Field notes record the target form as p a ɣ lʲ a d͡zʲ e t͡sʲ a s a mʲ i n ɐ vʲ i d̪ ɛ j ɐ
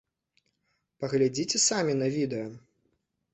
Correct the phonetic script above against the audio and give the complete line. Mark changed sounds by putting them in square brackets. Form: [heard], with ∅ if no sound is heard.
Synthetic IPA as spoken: p [ɐ] ɣ lʲ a d͡zʲ [i] t͡sʲ [ɛ] s a mʲ i n ɐ vʲ i d̪ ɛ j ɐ